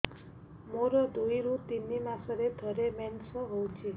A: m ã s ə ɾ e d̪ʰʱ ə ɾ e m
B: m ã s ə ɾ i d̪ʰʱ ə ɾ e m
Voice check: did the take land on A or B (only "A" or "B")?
A